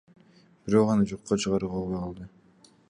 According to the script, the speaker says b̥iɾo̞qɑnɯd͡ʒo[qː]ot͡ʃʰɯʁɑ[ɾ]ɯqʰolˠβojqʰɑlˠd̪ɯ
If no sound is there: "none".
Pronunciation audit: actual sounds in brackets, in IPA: qː, ɾ

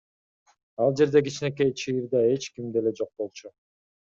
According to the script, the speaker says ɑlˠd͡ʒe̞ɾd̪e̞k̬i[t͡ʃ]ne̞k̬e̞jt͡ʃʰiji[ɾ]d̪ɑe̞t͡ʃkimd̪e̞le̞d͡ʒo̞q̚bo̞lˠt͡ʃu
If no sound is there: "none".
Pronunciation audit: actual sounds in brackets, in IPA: t͡ʃ, ɾ

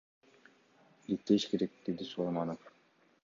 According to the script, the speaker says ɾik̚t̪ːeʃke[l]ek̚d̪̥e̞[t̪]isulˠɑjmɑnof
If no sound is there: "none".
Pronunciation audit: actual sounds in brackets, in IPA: ɾ, d̪

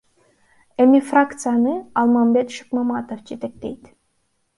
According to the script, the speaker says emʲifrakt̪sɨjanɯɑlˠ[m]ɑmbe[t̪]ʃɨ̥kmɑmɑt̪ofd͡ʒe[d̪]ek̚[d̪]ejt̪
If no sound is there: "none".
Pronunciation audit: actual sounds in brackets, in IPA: m, t̪, t̪, t̪

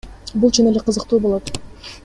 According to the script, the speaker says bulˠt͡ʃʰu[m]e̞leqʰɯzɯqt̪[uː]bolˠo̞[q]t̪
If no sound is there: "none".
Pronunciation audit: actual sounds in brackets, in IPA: n, uː, none

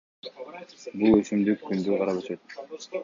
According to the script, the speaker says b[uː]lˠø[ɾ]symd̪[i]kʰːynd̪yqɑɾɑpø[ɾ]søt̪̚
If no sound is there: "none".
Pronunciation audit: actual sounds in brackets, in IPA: u, none, y, none

